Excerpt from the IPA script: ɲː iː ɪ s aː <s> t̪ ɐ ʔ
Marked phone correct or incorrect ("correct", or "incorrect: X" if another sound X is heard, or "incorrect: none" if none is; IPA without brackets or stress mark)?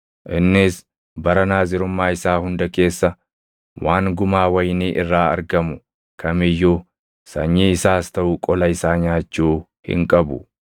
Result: correct